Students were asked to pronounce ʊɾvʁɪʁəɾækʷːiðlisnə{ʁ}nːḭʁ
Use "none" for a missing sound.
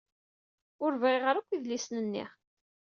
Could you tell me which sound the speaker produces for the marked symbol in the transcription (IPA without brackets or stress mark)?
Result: none